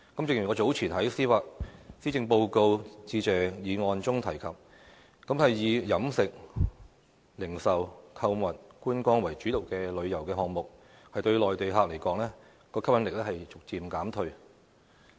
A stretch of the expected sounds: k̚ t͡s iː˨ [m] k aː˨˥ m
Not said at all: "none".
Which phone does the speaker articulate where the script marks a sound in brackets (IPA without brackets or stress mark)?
m